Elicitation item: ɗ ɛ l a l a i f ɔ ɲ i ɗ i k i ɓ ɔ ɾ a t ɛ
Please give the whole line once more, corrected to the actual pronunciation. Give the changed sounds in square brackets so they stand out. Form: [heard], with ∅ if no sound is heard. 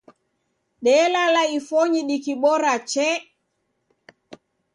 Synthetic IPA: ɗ ɛ l a l a i f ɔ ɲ i ɗ i k i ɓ ɔ ɾ a [t͡ʃ] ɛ